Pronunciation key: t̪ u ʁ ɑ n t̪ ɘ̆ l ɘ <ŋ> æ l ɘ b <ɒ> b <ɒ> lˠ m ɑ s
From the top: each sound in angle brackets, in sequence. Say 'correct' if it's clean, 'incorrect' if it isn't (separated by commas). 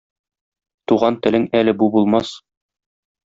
correct, incorrect, incorrect